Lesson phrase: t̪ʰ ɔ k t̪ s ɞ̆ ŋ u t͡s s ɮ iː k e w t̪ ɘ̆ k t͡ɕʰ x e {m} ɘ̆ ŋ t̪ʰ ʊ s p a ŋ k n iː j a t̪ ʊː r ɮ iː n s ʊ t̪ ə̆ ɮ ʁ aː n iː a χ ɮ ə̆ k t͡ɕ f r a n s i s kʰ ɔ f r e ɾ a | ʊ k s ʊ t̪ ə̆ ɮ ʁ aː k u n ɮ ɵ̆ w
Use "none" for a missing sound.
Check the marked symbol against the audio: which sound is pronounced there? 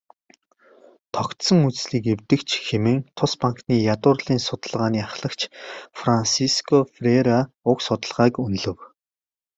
m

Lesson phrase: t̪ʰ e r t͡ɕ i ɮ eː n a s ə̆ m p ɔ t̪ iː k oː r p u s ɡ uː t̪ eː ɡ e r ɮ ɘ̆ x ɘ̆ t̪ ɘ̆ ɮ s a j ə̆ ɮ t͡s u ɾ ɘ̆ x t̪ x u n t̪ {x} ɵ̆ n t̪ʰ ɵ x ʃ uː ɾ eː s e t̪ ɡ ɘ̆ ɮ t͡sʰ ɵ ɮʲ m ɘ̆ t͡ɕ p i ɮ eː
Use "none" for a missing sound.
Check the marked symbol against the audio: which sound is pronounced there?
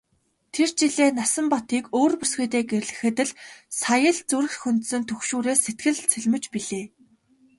s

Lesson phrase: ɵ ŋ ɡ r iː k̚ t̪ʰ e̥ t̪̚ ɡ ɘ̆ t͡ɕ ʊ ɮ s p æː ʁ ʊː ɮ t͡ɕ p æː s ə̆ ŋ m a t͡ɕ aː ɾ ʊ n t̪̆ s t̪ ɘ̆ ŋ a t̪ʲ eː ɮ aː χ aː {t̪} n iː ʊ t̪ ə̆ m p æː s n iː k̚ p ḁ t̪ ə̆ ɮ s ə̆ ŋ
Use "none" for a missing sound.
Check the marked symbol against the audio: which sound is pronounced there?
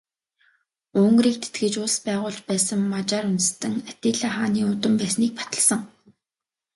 none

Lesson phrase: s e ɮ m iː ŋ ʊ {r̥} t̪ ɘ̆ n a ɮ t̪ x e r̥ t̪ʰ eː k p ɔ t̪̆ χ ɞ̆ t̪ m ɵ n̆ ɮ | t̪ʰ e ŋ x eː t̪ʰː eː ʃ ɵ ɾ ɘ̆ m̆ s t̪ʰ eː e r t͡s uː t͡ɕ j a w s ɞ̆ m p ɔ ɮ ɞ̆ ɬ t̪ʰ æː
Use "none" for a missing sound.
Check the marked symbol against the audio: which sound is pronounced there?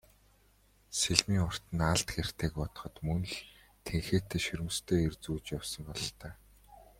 r̥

